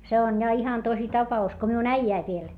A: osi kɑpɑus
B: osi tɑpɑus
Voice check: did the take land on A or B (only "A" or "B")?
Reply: B